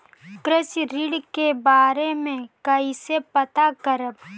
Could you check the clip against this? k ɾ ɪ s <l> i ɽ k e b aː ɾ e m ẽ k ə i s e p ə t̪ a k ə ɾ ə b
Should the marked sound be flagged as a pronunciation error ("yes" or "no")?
yes